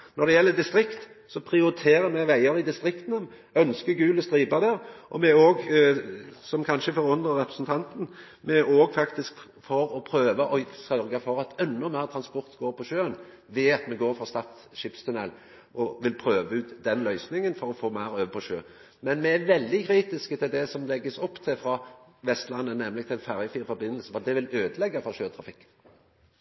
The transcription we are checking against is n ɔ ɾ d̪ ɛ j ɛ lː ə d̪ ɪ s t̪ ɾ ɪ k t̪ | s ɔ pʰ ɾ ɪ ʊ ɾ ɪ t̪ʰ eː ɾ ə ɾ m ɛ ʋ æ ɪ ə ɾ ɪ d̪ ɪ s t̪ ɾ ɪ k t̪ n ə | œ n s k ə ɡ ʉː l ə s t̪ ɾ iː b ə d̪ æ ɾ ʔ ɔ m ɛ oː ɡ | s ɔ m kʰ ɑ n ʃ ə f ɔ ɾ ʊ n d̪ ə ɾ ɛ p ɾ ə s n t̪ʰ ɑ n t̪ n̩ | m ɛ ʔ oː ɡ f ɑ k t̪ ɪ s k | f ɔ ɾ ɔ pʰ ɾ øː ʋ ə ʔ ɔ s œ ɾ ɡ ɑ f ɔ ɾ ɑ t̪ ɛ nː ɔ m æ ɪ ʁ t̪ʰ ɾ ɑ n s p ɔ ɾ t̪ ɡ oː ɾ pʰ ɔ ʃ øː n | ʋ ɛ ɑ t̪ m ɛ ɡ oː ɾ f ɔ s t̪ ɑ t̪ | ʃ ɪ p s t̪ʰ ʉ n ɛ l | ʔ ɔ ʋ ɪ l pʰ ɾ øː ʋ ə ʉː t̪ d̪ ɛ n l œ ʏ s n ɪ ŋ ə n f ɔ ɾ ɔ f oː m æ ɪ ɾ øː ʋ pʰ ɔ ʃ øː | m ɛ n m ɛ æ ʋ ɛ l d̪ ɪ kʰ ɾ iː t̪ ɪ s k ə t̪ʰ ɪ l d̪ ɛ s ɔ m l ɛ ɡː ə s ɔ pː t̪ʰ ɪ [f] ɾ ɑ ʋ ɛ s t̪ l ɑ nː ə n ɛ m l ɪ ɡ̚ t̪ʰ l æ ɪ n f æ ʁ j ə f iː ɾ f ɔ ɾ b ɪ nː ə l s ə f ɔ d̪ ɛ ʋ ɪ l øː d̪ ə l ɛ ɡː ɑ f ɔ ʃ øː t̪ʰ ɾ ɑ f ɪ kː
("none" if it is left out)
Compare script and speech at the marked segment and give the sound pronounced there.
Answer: f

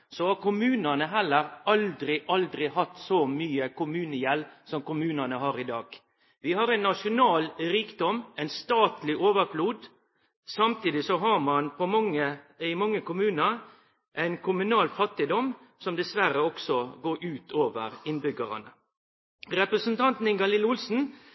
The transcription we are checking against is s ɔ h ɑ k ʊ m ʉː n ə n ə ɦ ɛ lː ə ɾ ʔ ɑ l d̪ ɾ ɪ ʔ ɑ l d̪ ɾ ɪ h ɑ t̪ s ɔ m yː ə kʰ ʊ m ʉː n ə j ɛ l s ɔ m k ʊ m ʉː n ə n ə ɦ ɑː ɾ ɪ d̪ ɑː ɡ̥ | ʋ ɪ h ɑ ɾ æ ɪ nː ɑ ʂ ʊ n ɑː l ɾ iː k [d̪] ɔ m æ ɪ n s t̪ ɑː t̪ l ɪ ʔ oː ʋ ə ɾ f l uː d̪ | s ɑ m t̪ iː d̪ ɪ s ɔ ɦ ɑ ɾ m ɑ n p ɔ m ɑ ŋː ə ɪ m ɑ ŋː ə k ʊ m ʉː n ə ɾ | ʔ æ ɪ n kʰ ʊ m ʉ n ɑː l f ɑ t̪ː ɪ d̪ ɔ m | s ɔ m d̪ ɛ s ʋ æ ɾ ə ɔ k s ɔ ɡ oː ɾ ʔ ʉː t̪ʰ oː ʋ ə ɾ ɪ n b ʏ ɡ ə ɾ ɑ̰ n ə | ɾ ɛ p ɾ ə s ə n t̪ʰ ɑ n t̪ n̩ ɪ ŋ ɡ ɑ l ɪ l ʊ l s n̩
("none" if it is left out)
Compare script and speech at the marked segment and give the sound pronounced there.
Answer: d̪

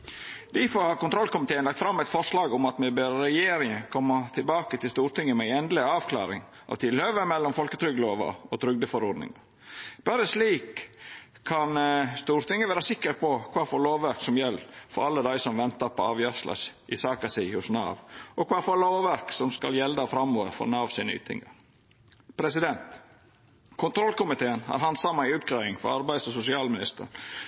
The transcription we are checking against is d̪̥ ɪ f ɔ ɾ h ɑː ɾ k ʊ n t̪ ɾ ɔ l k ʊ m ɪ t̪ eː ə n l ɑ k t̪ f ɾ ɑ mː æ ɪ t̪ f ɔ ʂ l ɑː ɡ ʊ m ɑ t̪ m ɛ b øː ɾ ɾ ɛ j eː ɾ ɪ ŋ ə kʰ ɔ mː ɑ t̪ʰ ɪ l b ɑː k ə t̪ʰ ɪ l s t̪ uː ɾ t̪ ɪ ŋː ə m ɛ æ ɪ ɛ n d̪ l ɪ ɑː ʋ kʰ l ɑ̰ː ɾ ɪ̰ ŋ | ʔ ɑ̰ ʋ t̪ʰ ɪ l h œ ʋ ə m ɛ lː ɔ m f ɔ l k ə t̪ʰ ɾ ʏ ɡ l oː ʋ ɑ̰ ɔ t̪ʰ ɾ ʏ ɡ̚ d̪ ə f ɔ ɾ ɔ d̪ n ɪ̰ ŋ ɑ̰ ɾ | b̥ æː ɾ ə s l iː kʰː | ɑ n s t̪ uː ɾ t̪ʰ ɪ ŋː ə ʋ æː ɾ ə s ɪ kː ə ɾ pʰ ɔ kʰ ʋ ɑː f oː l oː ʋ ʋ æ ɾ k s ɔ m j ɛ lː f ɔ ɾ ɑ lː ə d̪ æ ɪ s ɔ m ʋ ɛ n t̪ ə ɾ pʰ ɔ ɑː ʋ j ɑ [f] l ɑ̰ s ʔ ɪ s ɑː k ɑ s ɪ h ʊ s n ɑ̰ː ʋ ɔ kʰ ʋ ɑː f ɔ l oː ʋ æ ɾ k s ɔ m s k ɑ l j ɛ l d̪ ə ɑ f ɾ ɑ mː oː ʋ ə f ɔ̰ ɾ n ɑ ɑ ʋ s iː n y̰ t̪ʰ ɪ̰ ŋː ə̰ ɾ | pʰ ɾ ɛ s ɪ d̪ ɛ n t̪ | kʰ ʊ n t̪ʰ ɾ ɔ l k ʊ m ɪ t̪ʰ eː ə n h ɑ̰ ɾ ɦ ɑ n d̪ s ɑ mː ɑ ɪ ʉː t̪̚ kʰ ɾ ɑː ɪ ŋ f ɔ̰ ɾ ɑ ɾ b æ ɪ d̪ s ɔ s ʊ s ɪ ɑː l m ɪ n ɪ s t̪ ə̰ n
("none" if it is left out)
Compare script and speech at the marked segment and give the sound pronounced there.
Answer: s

